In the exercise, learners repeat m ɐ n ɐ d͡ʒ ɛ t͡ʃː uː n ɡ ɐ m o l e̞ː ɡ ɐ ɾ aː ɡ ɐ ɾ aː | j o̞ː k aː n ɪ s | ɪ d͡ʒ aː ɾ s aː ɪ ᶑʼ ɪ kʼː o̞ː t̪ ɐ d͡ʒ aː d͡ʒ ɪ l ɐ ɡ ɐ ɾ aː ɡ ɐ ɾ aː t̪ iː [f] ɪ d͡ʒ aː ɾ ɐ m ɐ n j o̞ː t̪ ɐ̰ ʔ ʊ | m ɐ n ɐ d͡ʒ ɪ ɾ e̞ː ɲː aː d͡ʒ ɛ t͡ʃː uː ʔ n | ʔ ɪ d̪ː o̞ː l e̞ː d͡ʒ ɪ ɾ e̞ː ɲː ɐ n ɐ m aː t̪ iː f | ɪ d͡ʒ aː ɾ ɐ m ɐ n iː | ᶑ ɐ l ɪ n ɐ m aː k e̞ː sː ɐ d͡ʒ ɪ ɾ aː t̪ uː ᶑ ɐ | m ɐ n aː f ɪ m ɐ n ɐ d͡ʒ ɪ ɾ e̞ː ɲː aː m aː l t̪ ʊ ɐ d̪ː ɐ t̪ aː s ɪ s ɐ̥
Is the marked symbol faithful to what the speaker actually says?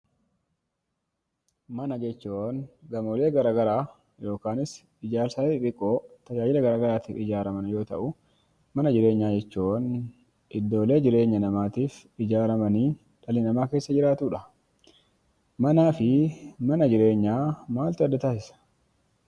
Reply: yes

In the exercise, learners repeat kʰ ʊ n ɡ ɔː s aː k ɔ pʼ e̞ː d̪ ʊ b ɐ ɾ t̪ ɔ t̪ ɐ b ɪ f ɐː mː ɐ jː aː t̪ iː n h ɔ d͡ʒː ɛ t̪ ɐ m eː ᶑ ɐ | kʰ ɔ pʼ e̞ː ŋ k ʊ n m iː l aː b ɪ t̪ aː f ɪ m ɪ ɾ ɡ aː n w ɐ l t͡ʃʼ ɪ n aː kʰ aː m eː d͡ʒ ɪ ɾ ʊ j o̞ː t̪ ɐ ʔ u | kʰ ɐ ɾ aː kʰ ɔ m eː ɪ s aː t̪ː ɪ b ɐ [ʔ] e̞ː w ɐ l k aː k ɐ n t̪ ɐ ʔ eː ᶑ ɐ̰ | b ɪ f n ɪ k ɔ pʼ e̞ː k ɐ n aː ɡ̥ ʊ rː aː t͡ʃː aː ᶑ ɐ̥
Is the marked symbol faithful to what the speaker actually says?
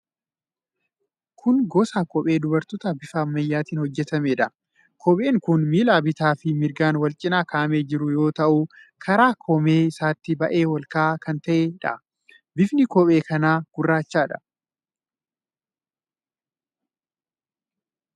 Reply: yes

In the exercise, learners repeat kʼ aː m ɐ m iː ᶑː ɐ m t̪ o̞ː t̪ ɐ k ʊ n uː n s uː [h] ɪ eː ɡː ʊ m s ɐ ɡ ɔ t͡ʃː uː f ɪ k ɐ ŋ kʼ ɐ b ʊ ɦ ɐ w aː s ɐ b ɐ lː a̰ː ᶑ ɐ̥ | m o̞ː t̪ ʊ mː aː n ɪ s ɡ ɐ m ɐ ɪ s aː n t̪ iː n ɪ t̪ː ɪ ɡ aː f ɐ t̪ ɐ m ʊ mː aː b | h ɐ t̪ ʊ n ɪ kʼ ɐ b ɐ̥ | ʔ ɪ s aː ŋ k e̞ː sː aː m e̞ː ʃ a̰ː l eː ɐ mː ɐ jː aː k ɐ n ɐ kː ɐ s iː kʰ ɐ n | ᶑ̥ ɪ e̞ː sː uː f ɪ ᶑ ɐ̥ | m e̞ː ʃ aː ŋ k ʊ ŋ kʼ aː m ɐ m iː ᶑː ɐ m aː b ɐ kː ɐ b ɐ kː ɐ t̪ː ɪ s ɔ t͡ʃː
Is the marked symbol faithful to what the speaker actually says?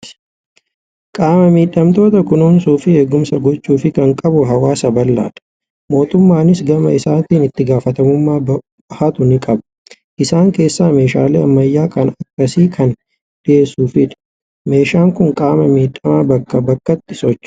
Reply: no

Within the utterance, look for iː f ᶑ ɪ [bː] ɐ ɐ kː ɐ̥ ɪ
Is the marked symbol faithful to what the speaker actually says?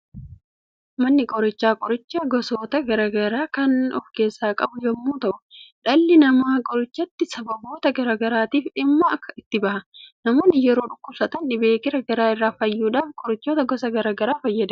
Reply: no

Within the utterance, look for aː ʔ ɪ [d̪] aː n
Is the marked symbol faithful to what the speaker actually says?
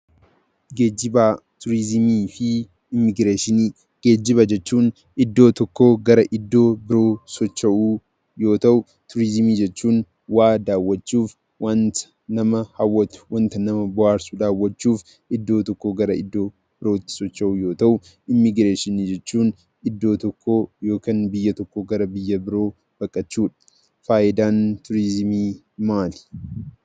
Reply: yes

